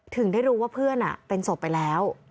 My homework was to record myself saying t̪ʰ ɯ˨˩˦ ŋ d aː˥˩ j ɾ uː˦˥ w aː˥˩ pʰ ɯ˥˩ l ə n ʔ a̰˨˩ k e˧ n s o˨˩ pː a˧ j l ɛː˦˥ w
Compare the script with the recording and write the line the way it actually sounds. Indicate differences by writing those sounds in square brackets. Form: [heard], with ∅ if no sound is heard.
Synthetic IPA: t̪ʰ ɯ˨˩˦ ŋ d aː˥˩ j ɾ uː˦˥ w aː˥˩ pʰ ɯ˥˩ [∅] ə n ʔ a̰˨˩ [p] e˧ n s o˨˩ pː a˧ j l ɛː˦˥ w